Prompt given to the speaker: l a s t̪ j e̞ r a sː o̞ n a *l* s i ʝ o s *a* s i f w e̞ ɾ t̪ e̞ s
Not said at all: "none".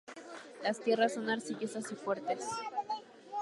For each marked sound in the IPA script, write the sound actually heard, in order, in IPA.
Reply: ɾ, a

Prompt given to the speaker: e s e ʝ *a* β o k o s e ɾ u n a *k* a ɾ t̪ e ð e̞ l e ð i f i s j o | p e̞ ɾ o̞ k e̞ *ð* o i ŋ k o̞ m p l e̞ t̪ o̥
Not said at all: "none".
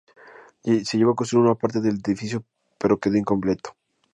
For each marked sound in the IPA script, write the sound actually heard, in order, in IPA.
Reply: e, p, ð

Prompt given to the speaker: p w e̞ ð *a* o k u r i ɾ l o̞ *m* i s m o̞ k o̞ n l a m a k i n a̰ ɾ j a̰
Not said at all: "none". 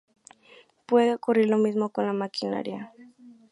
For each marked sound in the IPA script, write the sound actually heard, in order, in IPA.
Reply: e, m

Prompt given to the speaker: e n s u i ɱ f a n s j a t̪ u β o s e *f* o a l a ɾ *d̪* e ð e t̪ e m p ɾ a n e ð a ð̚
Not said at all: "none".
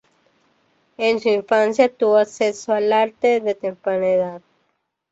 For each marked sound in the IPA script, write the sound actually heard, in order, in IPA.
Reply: s, t̪

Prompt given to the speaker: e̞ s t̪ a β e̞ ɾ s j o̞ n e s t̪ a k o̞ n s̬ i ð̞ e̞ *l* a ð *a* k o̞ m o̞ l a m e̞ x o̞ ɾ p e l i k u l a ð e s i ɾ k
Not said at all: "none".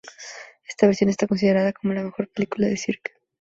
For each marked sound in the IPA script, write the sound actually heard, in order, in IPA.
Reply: ɾ, a

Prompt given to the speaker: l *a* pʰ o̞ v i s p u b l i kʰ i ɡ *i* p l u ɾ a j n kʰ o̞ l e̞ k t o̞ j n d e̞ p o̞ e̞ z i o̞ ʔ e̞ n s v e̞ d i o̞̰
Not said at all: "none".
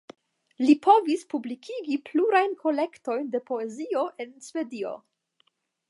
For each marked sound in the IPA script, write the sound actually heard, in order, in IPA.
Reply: i, i

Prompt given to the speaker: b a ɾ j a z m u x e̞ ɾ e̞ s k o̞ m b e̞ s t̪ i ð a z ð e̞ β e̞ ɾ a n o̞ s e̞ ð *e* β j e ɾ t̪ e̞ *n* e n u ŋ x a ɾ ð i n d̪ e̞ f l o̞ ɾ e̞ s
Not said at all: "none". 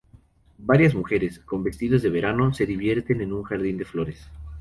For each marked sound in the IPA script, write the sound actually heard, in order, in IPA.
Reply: i, n

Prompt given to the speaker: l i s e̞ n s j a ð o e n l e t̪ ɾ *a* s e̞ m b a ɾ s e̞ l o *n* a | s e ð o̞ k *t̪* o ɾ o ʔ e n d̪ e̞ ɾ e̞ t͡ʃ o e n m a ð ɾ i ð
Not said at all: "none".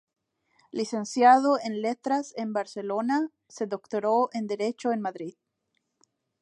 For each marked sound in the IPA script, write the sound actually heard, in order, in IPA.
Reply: a, n, t̪

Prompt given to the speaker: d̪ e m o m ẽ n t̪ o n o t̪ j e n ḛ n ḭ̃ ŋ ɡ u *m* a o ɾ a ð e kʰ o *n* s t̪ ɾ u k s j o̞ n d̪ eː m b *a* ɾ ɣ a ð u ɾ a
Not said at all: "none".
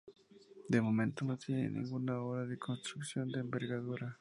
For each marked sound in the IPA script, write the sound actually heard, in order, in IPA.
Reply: n, n, e

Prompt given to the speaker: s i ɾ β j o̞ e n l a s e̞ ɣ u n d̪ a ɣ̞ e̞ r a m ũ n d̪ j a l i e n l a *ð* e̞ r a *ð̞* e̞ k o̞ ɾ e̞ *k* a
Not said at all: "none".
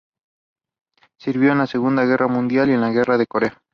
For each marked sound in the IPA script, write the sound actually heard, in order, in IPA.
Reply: ɣ, ð̞, none

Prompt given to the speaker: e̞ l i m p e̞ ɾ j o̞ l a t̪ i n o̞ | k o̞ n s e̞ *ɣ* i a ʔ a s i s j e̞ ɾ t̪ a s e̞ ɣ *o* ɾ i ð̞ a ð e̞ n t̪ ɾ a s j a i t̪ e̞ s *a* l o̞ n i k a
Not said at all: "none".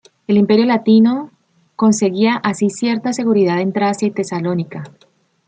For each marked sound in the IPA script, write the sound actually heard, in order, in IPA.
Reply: ɣ, u, a

